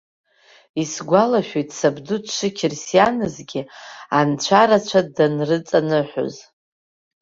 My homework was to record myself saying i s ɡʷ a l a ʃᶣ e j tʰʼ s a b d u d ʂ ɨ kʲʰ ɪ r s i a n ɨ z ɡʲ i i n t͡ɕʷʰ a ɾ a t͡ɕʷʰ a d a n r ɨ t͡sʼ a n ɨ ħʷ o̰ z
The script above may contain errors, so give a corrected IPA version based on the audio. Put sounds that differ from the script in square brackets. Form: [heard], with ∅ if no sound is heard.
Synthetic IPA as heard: i s ɡʷ a l a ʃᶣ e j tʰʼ s a b d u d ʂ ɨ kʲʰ ɪ r s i a n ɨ z ɡʲ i [a] n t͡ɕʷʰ a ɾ a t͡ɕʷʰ a d a n r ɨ t͡sʼ a n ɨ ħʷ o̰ z